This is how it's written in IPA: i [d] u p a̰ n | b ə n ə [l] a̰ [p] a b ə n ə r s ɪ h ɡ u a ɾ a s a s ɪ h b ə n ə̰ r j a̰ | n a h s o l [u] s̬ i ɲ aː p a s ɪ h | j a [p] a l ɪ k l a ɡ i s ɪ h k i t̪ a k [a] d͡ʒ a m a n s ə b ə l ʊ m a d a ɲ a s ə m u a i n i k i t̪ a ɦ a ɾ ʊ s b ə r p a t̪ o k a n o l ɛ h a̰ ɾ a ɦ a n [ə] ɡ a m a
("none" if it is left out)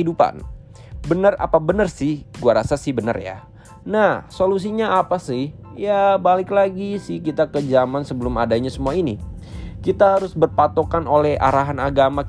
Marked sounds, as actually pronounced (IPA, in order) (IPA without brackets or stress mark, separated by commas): d, r, p, u, b, ə, a